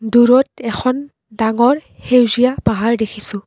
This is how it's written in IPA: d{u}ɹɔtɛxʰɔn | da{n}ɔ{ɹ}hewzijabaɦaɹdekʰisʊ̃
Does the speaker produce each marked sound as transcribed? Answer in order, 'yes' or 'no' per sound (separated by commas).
yes, no, yes